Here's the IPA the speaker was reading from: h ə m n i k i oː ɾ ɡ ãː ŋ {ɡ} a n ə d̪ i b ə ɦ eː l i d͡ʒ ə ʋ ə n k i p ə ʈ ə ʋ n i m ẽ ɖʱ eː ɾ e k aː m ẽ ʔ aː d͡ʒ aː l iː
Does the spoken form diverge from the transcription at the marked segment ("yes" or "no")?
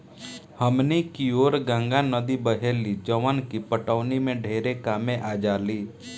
no